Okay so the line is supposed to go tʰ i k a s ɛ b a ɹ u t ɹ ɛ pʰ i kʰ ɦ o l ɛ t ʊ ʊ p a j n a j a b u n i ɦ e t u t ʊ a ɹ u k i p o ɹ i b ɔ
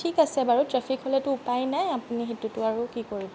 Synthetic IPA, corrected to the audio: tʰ i k a s ɛ b a ɹ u t ɹ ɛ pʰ i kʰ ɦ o l ɛ t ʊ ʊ p a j n a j a p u n i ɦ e t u t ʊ a ɹ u k i k o ɹ i b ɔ